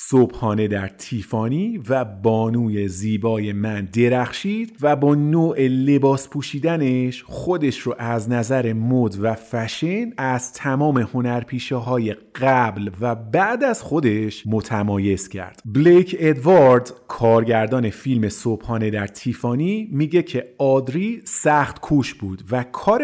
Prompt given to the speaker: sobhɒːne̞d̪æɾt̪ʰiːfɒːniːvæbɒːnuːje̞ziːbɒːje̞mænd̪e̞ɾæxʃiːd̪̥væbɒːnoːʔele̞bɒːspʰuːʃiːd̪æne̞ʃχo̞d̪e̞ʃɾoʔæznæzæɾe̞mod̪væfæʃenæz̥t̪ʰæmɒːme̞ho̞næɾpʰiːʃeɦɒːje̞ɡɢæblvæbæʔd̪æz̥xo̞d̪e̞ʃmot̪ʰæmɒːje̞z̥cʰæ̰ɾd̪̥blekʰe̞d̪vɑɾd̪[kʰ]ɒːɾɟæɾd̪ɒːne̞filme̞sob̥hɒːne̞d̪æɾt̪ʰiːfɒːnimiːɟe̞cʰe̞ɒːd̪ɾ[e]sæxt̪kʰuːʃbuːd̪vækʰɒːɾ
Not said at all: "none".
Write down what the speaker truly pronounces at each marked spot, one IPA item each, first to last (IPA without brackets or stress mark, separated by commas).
kʰ, i